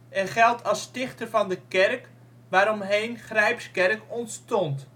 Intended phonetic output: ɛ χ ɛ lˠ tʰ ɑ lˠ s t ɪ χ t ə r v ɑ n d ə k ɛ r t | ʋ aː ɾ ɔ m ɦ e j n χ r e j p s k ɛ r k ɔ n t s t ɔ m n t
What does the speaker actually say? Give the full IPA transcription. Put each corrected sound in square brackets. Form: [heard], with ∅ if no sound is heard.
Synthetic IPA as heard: ɛ χ ɛ lˠ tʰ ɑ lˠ s t ɪ χ t ə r v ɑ n d ə k ɛ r [k] | ʋ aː ɾ ɔ m ɦ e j n χ r [ɛ] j p s k ɛ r k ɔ n t s t ɔ [∅] n t